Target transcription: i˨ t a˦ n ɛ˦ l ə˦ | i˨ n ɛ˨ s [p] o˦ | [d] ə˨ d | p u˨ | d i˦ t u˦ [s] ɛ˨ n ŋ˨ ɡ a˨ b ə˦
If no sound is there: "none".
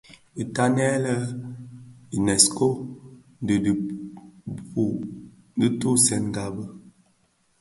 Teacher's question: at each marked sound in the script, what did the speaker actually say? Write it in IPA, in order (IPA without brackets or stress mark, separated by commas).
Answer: k, d, s